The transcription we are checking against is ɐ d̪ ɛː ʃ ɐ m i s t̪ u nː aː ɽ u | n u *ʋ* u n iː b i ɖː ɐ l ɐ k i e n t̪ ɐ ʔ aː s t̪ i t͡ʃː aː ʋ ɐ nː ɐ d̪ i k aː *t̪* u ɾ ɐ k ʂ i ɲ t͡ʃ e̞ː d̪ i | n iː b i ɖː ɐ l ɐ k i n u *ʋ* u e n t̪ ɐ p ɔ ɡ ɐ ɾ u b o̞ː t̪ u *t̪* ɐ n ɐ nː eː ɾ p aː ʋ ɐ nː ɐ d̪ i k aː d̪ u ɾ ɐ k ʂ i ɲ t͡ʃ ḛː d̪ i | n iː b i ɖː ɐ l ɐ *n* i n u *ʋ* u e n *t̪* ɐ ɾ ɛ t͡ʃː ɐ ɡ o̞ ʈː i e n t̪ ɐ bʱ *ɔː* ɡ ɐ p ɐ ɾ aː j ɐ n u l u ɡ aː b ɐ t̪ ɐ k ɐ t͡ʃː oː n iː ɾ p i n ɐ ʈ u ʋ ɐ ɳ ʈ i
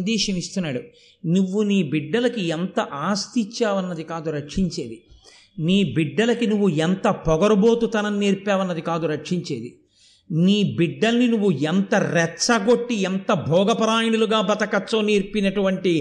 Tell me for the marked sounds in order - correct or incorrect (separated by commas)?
incorrect, incorrect, incorrect, correct, correct, incorrect, correct, correct